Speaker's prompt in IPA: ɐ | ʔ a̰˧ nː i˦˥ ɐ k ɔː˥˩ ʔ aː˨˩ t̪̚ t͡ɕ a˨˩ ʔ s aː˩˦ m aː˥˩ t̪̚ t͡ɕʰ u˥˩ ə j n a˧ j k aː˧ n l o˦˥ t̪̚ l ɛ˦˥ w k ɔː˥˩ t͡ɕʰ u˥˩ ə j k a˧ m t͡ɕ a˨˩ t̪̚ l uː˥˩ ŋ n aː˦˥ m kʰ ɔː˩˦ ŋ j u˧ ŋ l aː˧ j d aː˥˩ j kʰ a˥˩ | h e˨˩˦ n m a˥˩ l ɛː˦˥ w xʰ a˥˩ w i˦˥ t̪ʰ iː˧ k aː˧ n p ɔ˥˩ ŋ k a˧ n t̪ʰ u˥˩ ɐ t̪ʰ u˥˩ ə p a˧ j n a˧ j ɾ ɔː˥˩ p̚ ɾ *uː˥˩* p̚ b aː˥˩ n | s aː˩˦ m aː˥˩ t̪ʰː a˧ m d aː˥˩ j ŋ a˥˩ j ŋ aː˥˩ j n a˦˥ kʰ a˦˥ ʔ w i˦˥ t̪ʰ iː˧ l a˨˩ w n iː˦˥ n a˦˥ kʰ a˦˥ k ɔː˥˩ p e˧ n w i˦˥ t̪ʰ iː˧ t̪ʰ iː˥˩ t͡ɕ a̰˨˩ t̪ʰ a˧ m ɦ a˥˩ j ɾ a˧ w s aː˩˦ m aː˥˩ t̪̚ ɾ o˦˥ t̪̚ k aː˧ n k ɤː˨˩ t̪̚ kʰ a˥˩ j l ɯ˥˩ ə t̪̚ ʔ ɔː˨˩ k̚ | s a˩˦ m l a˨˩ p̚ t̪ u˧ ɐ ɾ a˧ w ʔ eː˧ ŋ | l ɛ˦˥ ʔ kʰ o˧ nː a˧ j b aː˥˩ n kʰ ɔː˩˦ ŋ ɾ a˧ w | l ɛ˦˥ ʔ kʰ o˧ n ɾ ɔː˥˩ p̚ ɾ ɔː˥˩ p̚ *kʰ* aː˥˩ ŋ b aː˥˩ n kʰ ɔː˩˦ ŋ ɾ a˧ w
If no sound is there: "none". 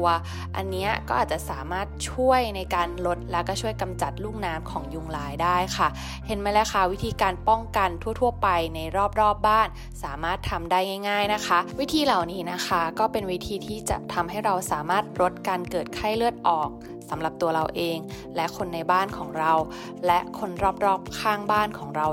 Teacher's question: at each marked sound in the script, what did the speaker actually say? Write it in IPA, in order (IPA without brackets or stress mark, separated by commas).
ɔː˥˩, kʰ